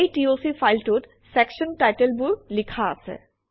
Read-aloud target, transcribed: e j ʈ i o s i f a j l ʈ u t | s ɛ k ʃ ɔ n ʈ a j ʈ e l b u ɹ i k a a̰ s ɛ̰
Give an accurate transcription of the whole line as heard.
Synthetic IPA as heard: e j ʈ i o s i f a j l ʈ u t | s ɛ k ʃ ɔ n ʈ a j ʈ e l b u l i kʰ a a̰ s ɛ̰